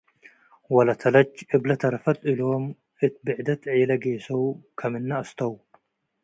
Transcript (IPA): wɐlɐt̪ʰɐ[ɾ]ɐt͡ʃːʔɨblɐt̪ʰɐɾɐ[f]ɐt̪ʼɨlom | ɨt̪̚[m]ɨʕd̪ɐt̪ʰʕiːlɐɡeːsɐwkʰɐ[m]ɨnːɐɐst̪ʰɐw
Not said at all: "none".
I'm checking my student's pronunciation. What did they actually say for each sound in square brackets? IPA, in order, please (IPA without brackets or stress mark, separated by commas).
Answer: l, f, b, m